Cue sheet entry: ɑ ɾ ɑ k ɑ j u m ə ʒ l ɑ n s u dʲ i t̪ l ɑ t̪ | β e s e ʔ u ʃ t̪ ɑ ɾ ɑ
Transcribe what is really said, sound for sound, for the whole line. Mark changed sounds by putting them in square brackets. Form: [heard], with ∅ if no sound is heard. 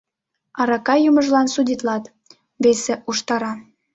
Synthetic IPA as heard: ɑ ɾ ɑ k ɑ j u m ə ʒ l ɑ n s u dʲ i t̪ l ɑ t̪ | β e s e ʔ u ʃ t̪ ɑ ɾ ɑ